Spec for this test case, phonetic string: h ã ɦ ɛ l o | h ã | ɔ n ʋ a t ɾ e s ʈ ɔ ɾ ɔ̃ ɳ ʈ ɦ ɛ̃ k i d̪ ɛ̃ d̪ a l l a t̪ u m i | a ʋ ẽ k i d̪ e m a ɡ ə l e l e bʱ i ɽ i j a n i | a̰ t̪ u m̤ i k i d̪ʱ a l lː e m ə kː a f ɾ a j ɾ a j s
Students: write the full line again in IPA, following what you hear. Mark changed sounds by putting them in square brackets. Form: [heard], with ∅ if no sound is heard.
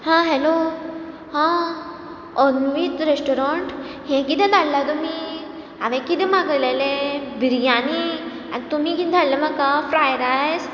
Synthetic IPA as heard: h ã ɦ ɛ l o | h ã | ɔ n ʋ [i] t ɾ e s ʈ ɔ ɾ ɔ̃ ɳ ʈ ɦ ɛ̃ k i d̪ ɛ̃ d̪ a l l a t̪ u m i | a ʋ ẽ k i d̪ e m a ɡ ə l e l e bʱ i [ɾ] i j a n i | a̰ t̪ u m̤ i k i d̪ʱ a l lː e m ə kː a f ɾ a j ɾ a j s

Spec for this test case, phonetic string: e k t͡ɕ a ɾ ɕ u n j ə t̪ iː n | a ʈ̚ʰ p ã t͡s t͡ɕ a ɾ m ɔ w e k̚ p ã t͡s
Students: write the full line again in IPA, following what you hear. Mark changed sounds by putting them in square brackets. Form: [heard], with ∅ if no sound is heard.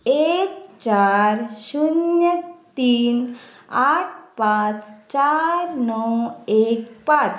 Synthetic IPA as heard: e k t͡ɕ a ɾ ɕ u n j ə t̪ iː n | a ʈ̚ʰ p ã t͡s t͡ɕ a ɾ [n] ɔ w e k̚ p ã t͡s

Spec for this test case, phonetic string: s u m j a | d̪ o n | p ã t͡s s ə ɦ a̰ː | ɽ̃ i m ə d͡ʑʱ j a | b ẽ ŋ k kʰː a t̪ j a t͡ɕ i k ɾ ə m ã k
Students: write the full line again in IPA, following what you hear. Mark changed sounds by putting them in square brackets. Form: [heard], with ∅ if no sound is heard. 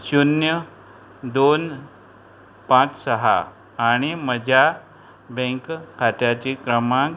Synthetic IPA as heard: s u [n] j [ə] | d̪ o n | p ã t͡s s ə ɦ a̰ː | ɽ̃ i m ə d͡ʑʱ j a | b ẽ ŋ k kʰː a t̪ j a t͡ɕ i k ɾ ə m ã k

